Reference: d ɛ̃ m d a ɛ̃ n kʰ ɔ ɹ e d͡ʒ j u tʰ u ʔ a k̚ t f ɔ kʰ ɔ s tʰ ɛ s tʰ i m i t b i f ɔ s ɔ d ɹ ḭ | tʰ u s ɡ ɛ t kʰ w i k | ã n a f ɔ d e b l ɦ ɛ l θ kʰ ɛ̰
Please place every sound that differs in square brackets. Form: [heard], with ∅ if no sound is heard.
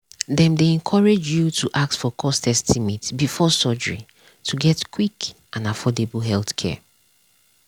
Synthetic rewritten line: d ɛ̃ m d [e] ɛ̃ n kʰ ɔ ɹ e d͡ʒ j u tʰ u ʔ a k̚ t f ɔ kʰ ɔ s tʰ ɛ s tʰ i m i t b i f ɔ s ɔ [d͡ʒ] ɹ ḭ | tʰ u [∅] ɡ ɛ t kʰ w i k | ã n a f ɔ d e b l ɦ ɛ l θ kʰ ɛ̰